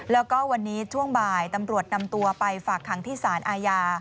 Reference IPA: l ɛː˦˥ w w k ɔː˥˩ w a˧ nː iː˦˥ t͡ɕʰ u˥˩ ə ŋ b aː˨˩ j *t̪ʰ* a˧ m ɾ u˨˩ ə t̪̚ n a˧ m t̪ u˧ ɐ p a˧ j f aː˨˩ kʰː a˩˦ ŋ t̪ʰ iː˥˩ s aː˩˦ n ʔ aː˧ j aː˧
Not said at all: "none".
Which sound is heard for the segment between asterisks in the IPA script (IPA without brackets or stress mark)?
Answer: t̪